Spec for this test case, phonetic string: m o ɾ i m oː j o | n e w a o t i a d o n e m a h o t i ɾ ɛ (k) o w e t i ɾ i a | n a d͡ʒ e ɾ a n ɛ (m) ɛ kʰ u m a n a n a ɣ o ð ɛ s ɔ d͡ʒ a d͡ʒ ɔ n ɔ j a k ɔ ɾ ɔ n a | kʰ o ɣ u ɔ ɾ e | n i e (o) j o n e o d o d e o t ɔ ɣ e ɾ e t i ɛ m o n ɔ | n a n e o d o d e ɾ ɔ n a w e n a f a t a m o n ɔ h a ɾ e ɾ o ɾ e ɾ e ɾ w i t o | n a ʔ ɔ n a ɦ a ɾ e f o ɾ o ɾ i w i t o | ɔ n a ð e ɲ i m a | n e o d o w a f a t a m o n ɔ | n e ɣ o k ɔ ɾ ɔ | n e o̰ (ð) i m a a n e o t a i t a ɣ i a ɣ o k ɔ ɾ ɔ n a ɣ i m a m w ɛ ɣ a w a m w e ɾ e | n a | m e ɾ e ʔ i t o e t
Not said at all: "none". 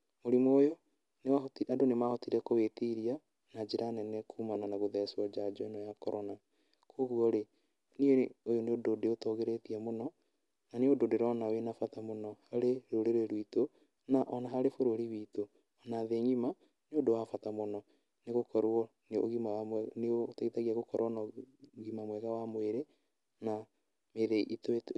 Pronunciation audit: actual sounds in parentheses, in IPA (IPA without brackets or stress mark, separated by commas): k, n, o, ɣ